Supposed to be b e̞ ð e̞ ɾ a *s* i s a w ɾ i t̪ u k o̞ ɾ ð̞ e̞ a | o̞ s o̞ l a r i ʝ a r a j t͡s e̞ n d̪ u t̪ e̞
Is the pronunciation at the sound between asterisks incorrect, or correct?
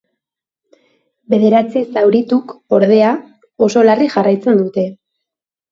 incorrect